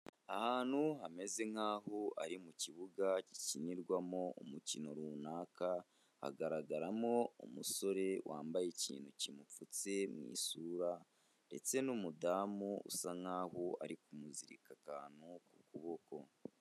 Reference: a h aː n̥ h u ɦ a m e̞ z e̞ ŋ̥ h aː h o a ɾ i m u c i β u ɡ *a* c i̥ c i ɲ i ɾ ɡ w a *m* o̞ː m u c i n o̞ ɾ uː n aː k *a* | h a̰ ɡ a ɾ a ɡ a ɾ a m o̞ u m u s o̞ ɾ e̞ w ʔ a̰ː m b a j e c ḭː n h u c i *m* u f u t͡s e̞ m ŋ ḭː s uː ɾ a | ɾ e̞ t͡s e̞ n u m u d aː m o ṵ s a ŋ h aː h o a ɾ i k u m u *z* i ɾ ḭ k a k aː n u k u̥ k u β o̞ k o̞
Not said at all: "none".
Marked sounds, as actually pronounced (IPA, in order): a, m, a, m, z

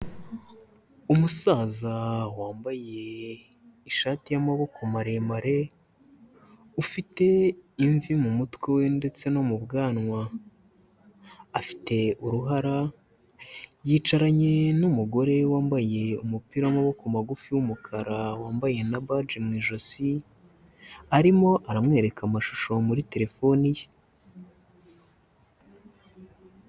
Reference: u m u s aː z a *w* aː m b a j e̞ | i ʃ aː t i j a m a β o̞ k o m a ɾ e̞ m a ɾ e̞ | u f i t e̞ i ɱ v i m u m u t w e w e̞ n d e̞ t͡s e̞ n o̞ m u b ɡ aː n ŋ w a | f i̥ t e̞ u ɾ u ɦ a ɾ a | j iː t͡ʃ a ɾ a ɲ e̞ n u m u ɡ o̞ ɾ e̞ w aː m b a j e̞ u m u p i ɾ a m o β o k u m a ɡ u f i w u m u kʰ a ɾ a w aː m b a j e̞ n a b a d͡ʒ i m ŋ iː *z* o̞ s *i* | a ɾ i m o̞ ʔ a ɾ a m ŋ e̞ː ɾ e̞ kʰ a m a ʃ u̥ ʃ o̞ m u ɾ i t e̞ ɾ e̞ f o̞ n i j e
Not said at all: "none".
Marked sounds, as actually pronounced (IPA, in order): w, ʒ, i

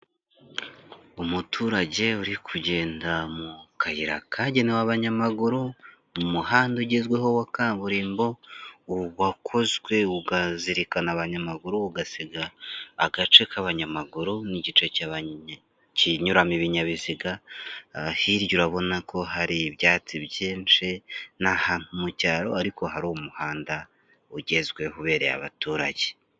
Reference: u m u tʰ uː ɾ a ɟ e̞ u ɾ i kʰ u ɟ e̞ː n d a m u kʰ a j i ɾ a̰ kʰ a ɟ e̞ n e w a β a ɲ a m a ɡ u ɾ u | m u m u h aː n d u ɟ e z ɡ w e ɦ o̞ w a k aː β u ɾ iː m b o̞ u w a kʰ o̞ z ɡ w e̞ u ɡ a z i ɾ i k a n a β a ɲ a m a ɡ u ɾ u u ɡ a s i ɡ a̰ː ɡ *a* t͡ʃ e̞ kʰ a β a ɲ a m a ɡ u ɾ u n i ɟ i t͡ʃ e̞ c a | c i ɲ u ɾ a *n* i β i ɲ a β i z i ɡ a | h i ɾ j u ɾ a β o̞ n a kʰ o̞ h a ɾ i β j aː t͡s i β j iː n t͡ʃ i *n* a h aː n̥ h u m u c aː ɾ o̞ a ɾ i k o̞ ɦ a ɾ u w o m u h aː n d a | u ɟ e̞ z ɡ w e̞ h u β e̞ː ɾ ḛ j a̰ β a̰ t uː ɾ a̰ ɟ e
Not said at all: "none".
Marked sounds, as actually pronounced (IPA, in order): a, m, n

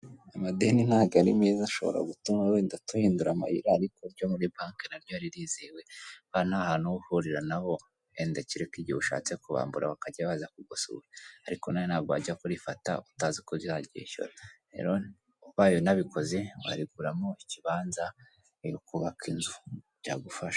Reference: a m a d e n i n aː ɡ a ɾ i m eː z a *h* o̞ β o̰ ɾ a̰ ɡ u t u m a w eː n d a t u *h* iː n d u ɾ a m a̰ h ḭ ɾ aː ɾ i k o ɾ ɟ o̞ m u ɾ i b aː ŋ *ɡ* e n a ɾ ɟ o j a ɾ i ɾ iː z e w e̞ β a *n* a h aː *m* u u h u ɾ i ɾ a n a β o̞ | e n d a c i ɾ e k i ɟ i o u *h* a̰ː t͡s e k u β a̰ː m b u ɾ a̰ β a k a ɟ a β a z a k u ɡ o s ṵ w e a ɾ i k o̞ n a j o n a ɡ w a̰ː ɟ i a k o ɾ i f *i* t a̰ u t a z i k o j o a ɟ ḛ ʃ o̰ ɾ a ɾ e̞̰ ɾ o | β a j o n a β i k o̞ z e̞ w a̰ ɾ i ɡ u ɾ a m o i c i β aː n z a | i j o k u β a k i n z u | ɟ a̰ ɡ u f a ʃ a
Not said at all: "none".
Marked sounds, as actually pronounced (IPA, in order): ʃ, h, k, n, n, ʃ, a

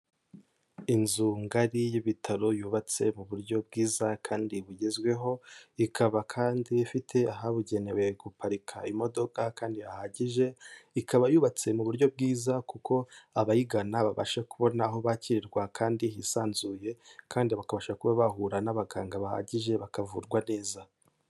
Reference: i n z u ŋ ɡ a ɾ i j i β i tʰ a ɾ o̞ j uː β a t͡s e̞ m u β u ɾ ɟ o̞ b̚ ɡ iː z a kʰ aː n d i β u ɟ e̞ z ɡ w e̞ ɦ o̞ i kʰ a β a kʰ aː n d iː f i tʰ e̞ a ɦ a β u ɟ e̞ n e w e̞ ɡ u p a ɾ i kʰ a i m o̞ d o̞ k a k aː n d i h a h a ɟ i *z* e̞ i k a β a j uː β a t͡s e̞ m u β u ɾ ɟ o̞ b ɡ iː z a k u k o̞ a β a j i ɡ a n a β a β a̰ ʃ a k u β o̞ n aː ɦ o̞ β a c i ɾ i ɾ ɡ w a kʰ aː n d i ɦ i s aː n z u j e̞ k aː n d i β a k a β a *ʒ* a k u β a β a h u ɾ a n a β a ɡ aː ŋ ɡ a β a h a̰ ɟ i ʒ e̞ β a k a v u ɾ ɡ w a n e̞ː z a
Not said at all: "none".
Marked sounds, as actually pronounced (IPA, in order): ʒ, ʃ

